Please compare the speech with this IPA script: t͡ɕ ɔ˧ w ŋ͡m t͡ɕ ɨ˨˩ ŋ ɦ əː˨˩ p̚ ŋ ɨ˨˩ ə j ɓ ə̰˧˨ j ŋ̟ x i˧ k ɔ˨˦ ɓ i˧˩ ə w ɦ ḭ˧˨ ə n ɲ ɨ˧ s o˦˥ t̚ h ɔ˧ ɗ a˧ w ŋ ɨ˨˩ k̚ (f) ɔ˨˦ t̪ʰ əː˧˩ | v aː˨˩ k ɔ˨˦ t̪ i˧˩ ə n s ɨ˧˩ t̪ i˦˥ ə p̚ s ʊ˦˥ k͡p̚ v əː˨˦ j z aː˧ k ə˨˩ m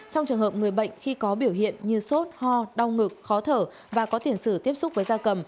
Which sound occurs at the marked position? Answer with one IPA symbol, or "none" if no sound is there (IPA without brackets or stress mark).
x